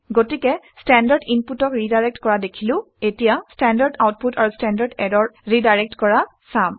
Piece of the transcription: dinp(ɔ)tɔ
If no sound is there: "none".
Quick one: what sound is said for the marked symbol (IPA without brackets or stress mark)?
u